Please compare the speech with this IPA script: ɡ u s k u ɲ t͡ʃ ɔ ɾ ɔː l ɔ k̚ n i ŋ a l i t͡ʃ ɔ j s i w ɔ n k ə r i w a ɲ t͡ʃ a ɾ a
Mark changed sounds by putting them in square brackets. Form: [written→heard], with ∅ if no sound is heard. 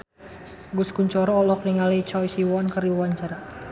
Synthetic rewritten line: ɡ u s k u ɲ t͡ʃ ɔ ɾ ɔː l ɔ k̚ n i ŋ a l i t͡ʃ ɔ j s i w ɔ n k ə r i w a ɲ t͡ʃ a ɾ a